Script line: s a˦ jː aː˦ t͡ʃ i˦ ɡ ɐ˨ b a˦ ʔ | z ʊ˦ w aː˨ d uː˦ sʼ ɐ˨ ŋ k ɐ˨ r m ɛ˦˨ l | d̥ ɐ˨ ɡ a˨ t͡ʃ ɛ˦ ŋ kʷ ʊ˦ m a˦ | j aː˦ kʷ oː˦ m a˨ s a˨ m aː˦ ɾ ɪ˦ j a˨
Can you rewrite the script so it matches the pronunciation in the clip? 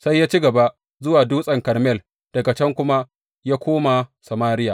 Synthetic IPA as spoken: s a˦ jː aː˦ t͡ʃ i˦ ɡ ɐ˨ b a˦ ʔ | z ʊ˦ w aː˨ d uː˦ sʼ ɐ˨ ŋ k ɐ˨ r m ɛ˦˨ l | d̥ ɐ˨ ɡ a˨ t͡ʃ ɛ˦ ŋ kʷ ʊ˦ m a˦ | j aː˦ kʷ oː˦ m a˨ s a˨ m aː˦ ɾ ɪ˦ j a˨